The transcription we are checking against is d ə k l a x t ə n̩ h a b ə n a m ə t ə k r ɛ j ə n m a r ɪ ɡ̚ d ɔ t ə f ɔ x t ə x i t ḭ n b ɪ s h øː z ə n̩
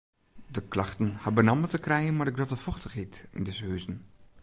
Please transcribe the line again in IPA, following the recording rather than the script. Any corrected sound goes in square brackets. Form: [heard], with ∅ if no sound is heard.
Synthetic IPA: d ə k l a x t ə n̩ h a b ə n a m ə t ə k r ɛ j ə n m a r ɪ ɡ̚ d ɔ t ə f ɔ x t ə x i t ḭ n [d] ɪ s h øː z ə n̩